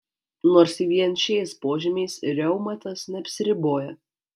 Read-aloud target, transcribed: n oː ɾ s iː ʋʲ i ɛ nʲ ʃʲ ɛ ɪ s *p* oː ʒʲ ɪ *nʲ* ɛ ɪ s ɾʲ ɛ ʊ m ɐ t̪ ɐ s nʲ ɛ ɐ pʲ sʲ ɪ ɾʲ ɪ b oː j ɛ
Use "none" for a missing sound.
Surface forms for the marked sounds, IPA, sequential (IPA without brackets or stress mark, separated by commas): p, mʲ